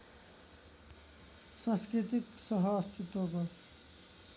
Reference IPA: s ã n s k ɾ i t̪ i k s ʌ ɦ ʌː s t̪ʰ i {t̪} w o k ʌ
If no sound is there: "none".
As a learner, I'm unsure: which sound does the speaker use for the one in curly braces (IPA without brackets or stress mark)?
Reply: t̪